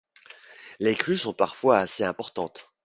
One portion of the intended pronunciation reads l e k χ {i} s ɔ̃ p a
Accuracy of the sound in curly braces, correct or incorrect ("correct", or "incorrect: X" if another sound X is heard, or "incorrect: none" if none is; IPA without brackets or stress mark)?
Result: incorrect: y